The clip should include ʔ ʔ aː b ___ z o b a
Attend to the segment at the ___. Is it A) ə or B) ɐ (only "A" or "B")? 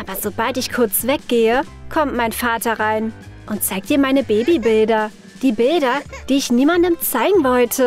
B